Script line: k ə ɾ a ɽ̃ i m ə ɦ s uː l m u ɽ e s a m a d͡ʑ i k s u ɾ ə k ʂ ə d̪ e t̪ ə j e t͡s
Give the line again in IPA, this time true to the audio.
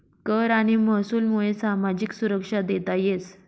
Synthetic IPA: k ə ɾ a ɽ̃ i m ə ɦ s uː l m u ɭ e s a m a d͡ʑ i k s u ɾ ə k ʂ a d̪ e t̪ a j e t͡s